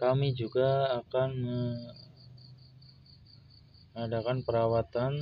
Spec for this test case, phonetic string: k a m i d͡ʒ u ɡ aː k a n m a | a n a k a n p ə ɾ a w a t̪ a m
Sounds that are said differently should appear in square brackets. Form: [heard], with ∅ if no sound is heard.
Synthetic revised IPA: k a m i d͡ʒ u ɡ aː k a n m [ə] | a [d] a k a n p ə ɾ a w a t̪ a [n]